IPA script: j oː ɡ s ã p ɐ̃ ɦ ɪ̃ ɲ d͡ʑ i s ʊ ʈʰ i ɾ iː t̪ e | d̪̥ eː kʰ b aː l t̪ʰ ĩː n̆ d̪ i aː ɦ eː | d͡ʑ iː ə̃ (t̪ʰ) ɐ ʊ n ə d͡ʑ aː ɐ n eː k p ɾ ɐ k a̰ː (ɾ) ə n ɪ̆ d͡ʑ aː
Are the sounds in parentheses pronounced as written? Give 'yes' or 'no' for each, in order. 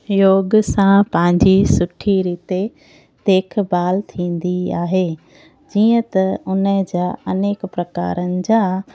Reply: no, yes

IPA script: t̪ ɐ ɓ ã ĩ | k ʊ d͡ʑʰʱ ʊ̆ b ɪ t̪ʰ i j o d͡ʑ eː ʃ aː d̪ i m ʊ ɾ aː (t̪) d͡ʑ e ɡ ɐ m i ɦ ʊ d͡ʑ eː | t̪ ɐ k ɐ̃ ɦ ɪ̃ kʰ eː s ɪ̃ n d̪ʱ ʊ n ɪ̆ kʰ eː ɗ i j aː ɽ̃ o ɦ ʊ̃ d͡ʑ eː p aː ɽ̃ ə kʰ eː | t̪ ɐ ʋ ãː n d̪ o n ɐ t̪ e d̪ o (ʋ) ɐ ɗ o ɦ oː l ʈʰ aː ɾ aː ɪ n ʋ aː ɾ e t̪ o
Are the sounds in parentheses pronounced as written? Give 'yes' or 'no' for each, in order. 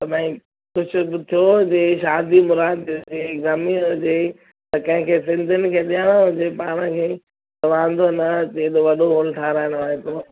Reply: no, yes

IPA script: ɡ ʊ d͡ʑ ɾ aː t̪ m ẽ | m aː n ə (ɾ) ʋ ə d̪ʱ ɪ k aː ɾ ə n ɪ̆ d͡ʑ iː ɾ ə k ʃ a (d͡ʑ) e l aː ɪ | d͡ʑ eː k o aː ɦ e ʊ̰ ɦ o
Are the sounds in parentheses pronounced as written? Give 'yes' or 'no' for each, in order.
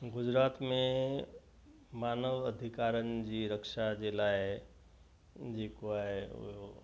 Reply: no, yes

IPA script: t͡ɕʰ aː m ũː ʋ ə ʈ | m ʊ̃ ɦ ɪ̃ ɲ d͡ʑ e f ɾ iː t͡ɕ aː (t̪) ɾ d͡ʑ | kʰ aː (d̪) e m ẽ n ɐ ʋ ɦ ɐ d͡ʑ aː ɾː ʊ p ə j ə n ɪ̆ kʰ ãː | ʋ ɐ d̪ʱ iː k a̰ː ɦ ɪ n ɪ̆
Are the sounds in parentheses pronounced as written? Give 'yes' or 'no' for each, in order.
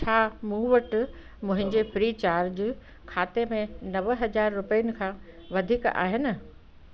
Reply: no, no

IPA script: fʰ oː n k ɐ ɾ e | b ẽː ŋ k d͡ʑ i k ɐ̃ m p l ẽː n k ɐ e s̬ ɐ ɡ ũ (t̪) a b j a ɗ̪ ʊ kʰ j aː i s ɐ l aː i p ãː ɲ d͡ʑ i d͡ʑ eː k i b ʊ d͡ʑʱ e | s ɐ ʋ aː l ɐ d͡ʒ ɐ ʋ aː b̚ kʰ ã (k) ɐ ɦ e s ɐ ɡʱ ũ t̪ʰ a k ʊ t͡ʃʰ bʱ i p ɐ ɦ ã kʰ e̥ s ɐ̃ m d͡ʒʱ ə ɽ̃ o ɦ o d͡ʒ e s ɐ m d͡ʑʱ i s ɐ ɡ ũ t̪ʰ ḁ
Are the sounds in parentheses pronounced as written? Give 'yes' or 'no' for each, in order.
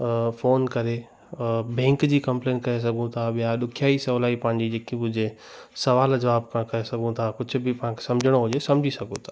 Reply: no, yes

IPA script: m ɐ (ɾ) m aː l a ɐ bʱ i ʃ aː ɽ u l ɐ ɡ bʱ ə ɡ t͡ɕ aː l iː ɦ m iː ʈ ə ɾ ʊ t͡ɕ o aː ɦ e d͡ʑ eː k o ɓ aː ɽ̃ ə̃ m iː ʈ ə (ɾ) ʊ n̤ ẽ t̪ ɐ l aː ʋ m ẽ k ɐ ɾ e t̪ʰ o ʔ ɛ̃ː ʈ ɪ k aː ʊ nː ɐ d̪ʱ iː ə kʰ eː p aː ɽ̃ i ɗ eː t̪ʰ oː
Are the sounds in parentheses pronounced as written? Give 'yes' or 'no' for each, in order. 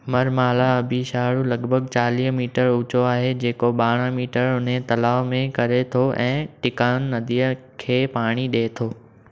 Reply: yes, yes

